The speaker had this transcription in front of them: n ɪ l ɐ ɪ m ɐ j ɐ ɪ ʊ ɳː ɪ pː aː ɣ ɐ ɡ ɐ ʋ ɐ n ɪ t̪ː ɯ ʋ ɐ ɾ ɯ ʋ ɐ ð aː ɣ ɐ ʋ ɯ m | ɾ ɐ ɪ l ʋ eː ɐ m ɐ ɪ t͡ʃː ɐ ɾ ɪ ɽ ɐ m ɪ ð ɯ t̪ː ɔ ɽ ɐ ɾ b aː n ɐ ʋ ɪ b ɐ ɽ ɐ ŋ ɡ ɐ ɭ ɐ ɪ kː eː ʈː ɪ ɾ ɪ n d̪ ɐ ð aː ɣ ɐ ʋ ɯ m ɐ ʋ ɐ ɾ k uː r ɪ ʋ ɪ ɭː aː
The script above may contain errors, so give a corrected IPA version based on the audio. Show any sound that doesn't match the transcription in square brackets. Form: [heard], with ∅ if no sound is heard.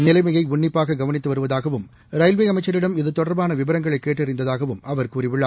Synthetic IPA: n ɪ l ɐ ɪ m ɐ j ɐ ɪ ʊ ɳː ɪ pː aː ɣ ɐ ɡ ɐ ʋ ɐ n ɪ t̪ː ɯ ʋ ɐ ɾ ɯ ʋ ɐ ð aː ɣ ɐ ʋ ɯ m | ɾ ɐ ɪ l ʋ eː ɐ m ɐ ɪ t͡ʃː ɐ ɾ ɪ ɽ ɐ m ɪ ð ɯ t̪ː ɔ ɽ ɐ ɾ b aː n ɐ ʋ ɪ b ɐ [ɾ] ɐ ŋ ɡ ɐ ɭ ɐ ɪ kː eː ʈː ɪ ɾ ɪ n d̪ ɐ ð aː ɣ ɐ ʋ ɯ m ɐ ʋ ɐ ɾ k uː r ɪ ʋ ɪ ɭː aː

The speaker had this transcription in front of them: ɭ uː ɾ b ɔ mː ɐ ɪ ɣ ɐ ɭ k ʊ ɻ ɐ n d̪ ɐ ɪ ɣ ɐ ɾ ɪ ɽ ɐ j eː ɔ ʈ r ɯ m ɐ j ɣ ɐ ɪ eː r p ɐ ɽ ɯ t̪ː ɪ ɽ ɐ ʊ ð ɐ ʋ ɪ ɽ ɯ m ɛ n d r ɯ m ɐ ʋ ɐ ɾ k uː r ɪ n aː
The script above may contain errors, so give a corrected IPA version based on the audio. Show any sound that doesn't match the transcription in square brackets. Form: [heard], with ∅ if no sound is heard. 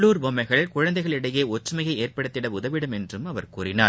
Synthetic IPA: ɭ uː ɾ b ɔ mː ɐ ɪ ɣ ɐ ɭ k ʊ ɻ ɐ n d̪ ɐ ɪ ɣ ɐ [ɭ] ɪ ɽ ɐ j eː ɔ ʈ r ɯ m ɐ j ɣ ɐ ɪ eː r p ɐ ɽ ɯ t̪ː ɪ ɽ ɐ ʊ ð ɐ ʋ ɪ ɽ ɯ m ɛ n d r ɯ m ɐ ʋ ɐ ɾ k uː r ɪ n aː

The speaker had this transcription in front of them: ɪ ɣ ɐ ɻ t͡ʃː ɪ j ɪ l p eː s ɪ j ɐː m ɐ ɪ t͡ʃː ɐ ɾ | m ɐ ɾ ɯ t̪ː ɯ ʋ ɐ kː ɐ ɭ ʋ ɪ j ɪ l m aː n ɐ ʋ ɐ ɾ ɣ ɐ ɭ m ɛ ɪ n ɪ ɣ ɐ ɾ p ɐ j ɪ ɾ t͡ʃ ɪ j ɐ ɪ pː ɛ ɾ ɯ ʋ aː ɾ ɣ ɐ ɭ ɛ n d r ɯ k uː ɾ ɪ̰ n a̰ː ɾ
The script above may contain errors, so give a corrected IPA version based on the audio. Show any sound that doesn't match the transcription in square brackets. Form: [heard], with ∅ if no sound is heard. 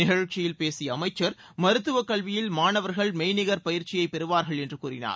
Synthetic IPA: ɪ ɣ ɐ ɻ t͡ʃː ɪ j ɪ l p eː s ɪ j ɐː m ɐ ɪ t͡ʃː ɐ ɾ | m ɐ ɾ ɯ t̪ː ɯ ʋ ɐ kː ɐ ɭ ʋ ɪ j ɪ l m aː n ɐ ʋ ɐ ɾ ɣ ɐ ɭ m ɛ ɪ n ɪ ɣ ɐ ɾ p ɐ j ɪ ɾ t͡ʃ ɪ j ɐ ɪ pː ɛ ɾ ɯ ʋ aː ɾ ɣ ɐ ɭ ɛ n d r ɯ k uː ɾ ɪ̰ n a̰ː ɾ

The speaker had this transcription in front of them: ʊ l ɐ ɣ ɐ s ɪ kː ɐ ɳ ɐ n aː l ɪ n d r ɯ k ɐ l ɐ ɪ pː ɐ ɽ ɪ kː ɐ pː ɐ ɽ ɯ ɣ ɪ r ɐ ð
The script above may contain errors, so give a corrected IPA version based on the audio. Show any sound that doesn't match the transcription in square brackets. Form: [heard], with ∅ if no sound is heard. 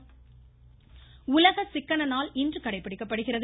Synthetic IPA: ʊ l ɐ ɣ ɐ s ɪ kː ɐ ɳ ɐ n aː l ɪ n d r ɯ k ɐ [ɽ] ɐ ɪ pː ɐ ɽ ɪ kː ɐ pː ɐ ɽ ɯ ɣ ɪ r ɐ ð

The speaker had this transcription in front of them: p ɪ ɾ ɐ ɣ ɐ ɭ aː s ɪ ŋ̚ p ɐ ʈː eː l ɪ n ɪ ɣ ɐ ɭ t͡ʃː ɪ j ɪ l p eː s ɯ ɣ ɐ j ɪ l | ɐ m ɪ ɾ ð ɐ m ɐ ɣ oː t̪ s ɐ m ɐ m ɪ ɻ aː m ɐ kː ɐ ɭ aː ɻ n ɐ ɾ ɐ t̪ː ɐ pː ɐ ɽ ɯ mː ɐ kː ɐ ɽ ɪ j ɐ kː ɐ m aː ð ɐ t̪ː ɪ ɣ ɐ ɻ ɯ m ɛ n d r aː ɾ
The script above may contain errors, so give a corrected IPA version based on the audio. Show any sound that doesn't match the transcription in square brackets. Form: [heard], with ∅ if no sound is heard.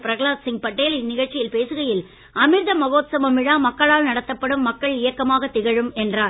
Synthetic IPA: p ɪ ɾ ɐ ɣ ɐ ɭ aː s ɪ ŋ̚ p ɐ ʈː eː l ɪ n ɪ ɣ ɐ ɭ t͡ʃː ɪ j ɪ l p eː s ɯ ɣ ɐ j ɪ l | ɐ m ɪ ɾ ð ɐ m ɐ ɣ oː t̪ s ɐ m ɐ m ɪ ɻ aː m ɐ kː ɐ ɭ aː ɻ n ɐ [ɽ] ɐ t̪ː ɐ pː ɐ ɽ ɯ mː ɐ kː ɐ [ɭ] ɪ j ɐ kː ɐ m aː [ɣ] ɐ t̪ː ɪ ɣ ɐ ɻ ɯ m ɛ n d r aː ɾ

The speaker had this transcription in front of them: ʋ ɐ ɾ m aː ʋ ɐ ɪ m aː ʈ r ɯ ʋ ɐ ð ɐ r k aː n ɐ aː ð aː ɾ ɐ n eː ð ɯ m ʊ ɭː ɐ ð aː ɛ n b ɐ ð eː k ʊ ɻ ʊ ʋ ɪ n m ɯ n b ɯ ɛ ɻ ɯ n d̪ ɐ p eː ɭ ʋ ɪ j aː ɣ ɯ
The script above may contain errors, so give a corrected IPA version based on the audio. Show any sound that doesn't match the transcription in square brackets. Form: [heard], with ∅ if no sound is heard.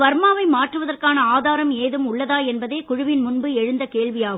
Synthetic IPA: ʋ ɐ ɾ m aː ʋ ɐ ɪ m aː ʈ r ɯ ʋ ɐ ð ɐ r k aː n ɐ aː ð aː ɾ ɐ [m] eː ð ɯ m ʊ ɭː ɐ ð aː ɛ n b ɐ ð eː k ʊ ɻ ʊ ʋ ɪ n m [ʊ] n b ɯ ɛ ɻ ɯ n d̪ ɐ [k] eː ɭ ʋ ɪ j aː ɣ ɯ

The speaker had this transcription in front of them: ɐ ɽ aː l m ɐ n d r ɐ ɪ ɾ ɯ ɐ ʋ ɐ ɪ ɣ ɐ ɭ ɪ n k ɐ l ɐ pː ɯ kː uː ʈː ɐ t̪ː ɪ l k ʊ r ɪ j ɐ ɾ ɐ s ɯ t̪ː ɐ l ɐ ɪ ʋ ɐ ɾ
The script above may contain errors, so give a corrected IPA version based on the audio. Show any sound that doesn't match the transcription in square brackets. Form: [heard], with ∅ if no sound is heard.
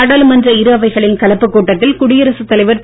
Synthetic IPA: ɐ ɽ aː l m ɐ n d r ɐ ɪ ɾ ɯ ɐ ʋ ɐ ɪ ɣ ɐ ɭ ɪ n k ɐ l ɐ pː ɯ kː uː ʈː ɐ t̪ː ɪ l k ʊ [ɽ] ɪ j ɐ ɾ ɐ s ɯ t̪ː ɐ l ɐ ɪ ʋ ɐ ɾ

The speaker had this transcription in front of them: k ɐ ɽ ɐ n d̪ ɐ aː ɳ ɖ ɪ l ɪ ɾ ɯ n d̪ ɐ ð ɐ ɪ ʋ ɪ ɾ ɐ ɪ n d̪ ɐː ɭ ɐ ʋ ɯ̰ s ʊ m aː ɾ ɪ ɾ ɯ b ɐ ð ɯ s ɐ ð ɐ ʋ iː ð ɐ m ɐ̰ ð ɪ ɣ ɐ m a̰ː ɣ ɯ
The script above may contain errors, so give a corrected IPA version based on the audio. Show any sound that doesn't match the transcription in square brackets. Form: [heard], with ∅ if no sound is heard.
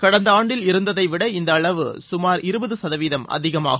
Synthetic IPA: k ɐ ɽ ɐ n d̪ ɐ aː ɳ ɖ ɪ l ɪ ɾ ɯ n d̪ ɐ ð ɐ ɪ ʋ ɪ [ɽ] ɐ ɪ n d̪ ɐː ɭ ɐ ʋ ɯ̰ s ʊ m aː ɾ ɪ ɾ ɯ b ɐ ð ɯ s ɐ ð ɐ ʋ iː ð ɐ m ɐ̰ ð ɪ ɣ ɐ m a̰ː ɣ ɯ

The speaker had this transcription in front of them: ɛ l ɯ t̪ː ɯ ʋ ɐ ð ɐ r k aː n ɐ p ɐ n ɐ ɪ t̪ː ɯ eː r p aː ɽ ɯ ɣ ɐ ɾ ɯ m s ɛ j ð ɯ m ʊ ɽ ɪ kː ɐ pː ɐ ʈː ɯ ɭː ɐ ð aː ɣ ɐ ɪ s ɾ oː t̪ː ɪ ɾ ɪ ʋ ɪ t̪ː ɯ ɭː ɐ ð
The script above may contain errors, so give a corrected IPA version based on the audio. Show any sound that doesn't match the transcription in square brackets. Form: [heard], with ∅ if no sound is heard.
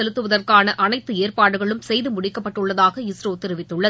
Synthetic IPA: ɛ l ɯ t̪ː ɯ ʋ ɐ ð ɐ r k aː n ɐ [ʔ] ɐ n ɐ ɪ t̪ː ɯ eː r p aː ɽ ɯ ɣ ɐ [ɭ] ɯ m s ɛ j ð ɯ m ʊ ɽ ɪ kː ɐ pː ɐ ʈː ɯ ɭː ɐ ð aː ɣ ɐ ɪ s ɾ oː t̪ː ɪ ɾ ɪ ʋ ɪ t̪ː ɯ ɭː ɐ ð

